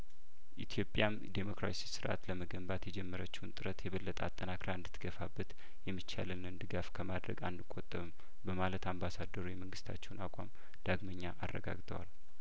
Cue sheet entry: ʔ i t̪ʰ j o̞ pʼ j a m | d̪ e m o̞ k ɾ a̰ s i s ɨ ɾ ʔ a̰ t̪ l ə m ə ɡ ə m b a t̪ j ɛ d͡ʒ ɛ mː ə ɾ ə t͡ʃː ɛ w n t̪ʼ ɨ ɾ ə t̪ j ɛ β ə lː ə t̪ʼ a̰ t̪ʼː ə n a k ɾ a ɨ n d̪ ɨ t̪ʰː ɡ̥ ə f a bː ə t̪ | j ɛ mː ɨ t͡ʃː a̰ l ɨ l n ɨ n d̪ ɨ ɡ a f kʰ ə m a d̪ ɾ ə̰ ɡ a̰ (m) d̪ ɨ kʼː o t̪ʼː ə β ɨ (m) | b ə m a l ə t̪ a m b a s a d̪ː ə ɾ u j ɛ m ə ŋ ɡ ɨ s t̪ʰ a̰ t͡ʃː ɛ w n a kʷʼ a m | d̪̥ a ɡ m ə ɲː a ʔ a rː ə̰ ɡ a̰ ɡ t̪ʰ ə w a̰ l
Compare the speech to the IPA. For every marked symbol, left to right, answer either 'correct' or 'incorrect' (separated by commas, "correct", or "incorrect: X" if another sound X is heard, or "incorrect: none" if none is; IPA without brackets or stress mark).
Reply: incorrect: n, correct